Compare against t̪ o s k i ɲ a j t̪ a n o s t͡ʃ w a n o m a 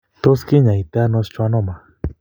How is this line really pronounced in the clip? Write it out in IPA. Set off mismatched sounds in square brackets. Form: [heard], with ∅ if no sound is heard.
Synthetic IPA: t̪ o s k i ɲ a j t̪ a n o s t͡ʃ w a n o m a